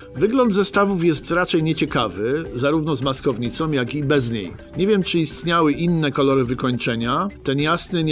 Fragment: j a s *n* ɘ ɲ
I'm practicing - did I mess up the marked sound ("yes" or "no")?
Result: no